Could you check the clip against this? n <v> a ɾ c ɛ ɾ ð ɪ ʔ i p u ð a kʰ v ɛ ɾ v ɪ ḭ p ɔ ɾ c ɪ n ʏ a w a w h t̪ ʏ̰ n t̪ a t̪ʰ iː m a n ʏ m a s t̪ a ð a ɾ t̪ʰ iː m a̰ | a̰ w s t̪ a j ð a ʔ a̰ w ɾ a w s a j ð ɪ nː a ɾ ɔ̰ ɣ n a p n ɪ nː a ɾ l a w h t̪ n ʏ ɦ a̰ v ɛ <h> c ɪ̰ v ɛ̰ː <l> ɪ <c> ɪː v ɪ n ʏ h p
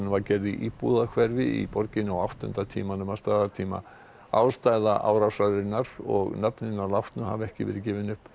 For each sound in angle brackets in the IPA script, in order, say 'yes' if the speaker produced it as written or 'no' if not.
yes, yes, no, yes

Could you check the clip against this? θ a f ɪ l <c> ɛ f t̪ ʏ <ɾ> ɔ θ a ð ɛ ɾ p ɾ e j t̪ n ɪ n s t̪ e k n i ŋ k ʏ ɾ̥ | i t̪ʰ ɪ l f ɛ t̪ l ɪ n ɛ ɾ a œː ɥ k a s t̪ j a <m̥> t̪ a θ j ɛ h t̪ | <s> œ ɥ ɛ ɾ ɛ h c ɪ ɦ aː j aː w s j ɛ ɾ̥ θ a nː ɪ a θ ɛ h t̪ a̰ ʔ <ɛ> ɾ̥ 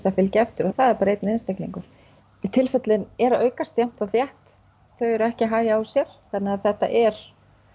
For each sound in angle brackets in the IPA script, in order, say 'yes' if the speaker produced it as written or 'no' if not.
yes, yes, yes, no, yes

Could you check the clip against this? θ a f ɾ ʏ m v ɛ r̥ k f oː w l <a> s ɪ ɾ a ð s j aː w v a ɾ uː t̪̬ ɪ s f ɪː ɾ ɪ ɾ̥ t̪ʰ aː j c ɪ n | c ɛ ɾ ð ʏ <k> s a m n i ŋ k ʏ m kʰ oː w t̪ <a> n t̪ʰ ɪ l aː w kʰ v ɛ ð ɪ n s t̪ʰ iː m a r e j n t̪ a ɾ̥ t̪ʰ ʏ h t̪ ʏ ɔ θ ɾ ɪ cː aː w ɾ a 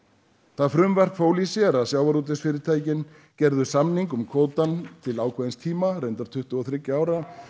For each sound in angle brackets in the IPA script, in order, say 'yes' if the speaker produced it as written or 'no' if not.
no, no, yes

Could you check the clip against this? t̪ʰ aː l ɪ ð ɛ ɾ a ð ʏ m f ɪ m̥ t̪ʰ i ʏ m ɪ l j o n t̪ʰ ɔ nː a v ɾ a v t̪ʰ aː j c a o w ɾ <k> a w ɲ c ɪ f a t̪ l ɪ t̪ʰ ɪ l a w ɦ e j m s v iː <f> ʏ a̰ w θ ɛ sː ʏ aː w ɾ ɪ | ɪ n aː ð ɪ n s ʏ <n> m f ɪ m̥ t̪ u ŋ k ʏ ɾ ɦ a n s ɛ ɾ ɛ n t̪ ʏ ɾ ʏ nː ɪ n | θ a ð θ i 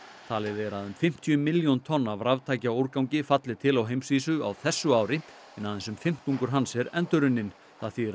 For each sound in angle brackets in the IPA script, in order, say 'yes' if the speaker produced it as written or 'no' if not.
yes, no, no

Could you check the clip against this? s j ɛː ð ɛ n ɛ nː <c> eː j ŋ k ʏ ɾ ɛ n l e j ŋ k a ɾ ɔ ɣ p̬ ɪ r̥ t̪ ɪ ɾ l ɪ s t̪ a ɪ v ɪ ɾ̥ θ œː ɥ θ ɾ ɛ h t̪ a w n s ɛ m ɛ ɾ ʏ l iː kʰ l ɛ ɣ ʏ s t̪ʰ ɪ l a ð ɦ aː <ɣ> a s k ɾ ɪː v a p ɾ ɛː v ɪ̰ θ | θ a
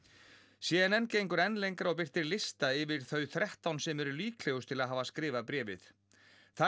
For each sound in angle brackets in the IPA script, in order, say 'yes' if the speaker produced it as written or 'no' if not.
yes, no

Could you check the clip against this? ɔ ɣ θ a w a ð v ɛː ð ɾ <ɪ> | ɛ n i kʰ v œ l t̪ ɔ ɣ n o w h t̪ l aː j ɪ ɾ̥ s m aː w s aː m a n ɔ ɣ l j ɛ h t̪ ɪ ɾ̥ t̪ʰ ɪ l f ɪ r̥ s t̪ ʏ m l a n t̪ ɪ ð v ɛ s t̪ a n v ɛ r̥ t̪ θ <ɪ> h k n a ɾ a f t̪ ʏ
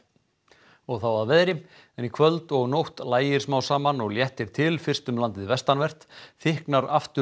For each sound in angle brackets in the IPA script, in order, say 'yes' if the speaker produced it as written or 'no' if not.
yes, yes

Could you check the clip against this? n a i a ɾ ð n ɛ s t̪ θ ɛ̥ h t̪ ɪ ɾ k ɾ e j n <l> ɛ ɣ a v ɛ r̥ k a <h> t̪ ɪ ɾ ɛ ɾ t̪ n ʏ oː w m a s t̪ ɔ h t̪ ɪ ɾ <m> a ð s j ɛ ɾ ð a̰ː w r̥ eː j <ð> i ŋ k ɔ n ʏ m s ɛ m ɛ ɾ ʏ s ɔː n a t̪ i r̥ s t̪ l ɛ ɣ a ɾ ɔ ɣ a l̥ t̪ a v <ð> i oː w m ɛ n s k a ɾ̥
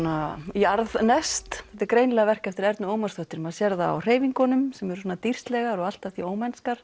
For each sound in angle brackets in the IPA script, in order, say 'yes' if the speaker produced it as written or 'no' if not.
yes, no, yes, no, no

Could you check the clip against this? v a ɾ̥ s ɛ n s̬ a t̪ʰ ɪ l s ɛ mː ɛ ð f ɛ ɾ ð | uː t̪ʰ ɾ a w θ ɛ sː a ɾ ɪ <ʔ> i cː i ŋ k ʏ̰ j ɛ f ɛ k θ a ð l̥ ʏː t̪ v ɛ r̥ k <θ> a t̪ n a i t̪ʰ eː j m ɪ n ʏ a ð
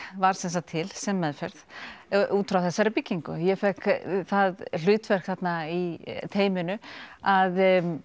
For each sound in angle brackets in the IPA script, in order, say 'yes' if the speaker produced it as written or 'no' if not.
no, yes

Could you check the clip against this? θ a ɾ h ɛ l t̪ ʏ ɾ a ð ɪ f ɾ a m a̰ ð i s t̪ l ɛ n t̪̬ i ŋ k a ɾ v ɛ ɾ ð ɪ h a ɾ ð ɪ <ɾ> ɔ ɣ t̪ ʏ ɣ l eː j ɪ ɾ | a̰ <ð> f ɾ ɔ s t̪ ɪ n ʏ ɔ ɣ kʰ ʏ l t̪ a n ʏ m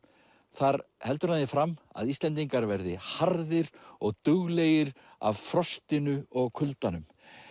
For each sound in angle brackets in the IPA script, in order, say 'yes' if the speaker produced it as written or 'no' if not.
yes, no

